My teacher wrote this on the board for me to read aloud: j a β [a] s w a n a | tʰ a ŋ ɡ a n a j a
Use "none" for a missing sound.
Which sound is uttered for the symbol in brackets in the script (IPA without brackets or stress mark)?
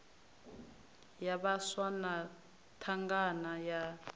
a